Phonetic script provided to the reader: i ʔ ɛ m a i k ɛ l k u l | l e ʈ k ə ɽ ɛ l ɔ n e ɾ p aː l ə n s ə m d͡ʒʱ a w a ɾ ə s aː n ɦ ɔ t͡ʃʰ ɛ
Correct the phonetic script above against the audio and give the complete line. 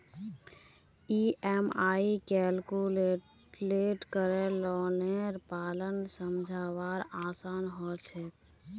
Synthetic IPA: i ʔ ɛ m a i k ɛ l k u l | l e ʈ k ə ɾ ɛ l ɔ n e ɾ p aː l ə n s ə m d͡ʒʱ a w a ɾ a s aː n ɦ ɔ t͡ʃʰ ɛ